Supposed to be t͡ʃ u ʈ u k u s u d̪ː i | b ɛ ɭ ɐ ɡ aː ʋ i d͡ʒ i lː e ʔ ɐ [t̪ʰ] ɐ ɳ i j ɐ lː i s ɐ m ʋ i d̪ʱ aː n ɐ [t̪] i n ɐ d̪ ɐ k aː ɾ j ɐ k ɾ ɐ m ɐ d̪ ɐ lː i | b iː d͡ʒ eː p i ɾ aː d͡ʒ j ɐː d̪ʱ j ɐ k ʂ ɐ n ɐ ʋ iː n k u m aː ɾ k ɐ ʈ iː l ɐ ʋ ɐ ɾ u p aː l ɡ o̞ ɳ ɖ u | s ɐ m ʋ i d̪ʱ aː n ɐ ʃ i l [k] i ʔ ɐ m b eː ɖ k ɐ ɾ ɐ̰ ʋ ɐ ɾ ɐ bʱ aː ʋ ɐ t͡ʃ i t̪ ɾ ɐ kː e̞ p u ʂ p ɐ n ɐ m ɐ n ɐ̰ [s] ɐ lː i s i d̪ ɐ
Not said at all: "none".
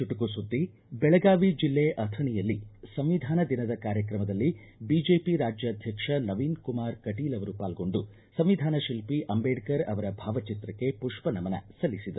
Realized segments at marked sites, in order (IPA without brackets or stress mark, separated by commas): t̪ʰ, d̪, p, s